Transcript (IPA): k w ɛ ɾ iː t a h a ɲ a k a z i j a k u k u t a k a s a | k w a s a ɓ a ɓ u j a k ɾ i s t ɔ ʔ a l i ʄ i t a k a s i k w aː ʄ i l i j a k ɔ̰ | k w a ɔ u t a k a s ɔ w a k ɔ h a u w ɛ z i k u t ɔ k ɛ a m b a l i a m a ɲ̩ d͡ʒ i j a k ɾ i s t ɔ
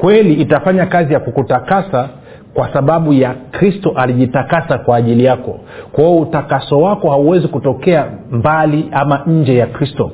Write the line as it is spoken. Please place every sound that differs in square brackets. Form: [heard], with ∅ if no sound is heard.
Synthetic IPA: k w ɛ [l] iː t a [f] a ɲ a k a z i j a k u k u t a k a s a | k w a s a ɓ a ɓ u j a k ɾ i s t ɔ ʔ a l i ʄ i t a k a s [a] k w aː ʄ i l i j a k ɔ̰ | k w a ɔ u t a k a s ɔ w a k ɔ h a u w ɛ z i k u t ɔ k ɛ a m b a l i a m a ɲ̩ d͡ʒ [ɛ] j a k ɾ i s t ɔ